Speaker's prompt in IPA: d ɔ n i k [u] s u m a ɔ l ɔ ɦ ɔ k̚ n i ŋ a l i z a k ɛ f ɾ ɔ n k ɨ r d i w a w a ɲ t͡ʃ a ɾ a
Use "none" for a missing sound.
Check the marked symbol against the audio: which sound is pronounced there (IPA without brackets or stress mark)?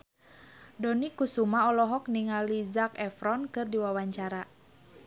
u